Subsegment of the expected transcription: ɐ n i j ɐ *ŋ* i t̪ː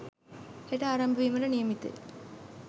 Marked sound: incorrect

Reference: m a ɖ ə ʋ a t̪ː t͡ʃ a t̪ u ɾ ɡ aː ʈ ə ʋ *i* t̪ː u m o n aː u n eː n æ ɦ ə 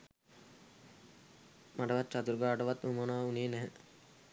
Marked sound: incorrect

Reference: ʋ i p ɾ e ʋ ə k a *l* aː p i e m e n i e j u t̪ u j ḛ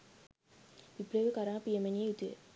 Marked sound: incorrect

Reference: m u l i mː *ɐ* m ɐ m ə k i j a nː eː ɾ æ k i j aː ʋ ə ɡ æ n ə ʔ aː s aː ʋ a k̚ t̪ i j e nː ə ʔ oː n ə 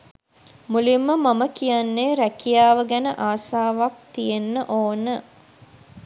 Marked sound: incorrect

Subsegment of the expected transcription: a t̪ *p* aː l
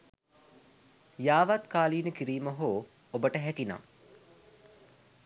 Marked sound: incorrect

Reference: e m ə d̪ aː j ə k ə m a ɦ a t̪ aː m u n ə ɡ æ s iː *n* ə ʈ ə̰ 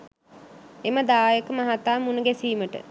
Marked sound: incorrect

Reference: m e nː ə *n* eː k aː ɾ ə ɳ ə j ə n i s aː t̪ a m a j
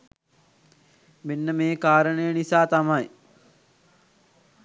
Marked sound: incorrect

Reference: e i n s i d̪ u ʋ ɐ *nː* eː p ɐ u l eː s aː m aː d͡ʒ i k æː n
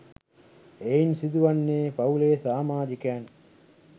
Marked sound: correct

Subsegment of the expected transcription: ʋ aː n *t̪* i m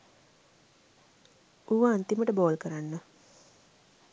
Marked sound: correct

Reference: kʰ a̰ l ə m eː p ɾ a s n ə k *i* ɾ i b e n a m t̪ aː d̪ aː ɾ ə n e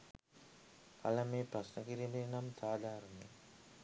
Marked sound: correct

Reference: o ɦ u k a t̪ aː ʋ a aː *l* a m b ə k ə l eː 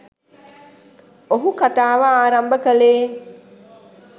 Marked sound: incorrect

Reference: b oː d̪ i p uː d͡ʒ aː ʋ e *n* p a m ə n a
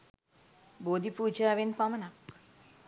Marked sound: correct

